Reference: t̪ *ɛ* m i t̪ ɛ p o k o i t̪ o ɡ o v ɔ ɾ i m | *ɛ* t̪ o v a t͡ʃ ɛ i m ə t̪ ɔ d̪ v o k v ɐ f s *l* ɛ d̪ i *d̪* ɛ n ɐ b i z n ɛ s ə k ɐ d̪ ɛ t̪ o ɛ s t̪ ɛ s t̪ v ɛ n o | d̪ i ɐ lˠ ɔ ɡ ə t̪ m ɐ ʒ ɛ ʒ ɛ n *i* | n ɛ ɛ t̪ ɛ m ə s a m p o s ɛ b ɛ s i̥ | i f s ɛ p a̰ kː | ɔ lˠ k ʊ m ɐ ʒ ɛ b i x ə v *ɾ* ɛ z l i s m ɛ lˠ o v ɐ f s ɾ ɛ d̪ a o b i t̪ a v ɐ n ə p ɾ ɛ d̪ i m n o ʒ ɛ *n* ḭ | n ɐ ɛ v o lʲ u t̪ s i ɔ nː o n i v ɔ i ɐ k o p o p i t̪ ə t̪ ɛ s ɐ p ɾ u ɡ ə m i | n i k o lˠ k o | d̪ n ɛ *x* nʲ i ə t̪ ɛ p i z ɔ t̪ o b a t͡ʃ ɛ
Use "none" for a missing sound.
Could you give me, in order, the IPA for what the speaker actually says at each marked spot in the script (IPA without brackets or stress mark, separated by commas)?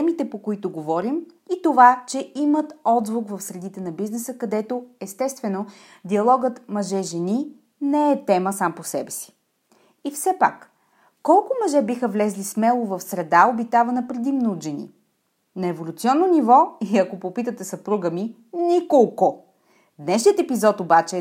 ɛ, i, ɾ, t̪, i, l, n, ʃ